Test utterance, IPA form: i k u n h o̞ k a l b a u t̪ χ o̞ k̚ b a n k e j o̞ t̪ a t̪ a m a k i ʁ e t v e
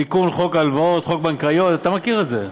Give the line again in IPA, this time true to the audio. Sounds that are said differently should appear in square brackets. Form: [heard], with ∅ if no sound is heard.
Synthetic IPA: i k u n [χ] o̞ k a l [v] a [o] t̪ χ o̞ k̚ b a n k [a] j o̞ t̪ a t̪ a m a k i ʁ e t [z] e